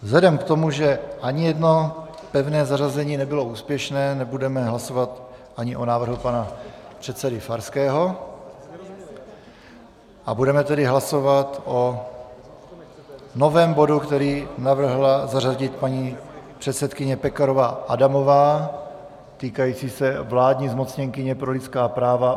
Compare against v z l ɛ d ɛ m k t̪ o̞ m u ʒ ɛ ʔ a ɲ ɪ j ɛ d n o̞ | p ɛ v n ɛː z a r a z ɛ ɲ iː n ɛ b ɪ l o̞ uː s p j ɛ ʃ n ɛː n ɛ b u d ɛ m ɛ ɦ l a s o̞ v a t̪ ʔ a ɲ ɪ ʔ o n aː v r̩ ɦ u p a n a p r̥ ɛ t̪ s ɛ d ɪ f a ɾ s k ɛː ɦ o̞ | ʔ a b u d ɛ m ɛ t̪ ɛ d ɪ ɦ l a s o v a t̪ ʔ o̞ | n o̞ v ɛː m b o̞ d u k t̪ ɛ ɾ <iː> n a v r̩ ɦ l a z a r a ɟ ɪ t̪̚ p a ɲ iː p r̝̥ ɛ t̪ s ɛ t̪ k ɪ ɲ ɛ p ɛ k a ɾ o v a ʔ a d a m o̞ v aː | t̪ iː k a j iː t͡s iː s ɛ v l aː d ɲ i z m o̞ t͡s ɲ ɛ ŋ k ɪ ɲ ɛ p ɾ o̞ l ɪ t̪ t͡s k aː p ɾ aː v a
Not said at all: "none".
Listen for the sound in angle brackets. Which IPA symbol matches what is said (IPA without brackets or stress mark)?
iː